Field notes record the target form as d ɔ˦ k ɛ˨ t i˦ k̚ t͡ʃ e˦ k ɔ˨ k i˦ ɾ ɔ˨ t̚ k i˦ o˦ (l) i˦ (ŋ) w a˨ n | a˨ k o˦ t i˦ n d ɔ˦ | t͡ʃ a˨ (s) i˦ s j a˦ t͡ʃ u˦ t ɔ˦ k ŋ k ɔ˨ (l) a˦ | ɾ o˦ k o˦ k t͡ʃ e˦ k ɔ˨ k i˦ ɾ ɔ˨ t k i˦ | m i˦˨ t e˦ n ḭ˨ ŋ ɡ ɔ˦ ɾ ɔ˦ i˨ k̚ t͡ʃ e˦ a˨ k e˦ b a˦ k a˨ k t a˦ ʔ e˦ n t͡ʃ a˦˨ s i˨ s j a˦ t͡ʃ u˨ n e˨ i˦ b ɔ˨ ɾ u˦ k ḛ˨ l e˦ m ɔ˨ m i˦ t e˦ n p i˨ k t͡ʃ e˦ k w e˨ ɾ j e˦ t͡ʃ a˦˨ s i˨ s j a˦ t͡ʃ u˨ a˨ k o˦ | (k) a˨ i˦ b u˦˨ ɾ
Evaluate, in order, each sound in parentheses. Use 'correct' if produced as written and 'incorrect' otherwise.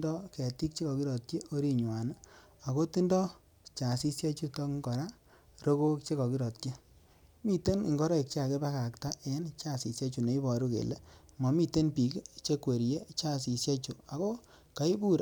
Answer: incorrect, incorrect, correct, incorrect, correct

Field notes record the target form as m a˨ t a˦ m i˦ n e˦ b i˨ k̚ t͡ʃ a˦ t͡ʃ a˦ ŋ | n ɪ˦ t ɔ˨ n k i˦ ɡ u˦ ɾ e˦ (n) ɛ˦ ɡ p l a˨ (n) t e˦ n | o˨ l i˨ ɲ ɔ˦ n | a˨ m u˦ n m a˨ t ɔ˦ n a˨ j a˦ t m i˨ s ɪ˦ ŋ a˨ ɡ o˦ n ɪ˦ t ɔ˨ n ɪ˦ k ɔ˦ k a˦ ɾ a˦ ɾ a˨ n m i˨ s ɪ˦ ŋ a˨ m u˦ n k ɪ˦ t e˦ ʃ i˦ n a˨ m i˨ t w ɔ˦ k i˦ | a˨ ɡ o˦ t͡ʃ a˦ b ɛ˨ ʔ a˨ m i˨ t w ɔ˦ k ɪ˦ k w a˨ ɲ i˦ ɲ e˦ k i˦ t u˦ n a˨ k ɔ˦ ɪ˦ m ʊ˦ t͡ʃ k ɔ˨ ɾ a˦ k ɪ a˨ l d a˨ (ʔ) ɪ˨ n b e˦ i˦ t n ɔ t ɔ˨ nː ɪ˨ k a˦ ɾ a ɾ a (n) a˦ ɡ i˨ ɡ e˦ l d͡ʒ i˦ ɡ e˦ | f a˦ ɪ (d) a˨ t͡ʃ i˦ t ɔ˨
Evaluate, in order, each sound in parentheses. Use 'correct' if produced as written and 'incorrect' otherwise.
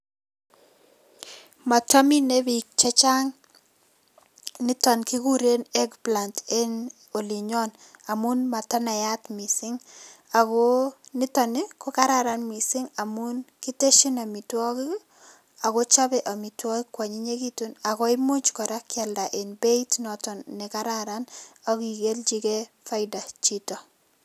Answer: correct, correct, correct, correct, correct

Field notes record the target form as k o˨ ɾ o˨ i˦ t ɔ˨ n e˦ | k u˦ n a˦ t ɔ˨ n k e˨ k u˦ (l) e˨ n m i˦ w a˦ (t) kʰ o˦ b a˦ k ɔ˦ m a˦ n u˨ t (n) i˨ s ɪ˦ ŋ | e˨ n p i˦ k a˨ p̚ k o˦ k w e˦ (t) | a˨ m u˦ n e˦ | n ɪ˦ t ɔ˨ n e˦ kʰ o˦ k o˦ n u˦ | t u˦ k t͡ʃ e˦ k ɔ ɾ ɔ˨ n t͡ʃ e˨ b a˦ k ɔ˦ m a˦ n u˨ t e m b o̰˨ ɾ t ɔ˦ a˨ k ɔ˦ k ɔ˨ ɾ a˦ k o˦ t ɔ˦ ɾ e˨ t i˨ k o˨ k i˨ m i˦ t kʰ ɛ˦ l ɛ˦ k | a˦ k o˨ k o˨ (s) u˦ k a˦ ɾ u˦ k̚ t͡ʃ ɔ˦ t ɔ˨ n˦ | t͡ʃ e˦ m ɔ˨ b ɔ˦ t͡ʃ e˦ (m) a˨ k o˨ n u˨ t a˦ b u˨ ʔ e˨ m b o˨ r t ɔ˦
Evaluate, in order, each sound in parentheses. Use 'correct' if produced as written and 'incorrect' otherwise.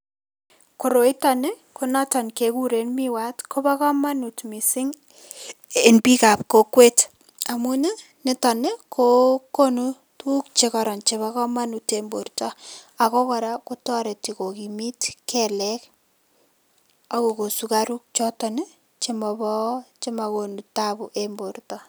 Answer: incorrect, correct, incorrect, correct, correct, correct

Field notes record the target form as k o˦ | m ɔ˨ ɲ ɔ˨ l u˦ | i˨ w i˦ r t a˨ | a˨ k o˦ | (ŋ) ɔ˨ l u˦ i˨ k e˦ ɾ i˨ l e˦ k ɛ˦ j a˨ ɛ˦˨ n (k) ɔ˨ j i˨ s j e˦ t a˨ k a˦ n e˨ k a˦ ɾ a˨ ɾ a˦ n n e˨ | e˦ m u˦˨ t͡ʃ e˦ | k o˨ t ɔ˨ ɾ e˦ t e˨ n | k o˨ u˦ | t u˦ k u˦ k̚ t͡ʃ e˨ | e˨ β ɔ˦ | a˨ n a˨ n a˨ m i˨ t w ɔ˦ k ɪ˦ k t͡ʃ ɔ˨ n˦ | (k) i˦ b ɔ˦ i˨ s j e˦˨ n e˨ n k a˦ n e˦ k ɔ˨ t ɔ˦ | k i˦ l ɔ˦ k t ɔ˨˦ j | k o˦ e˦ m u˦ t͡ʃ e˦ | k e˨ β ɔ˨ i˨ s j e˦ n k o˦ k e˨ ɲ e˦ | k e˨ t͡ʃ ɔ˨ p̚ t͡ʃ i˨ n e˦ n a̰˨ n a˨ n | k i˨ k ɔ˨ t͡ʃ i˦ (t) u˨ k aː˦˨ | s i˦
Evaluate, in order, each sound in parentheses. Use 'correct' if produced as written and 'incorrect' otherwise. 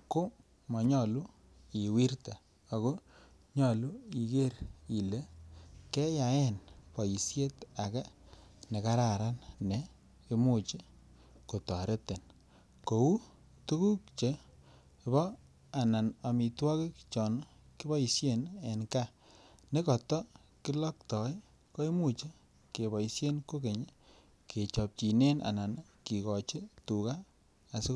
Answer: incorrect, incorrect, correct, correct

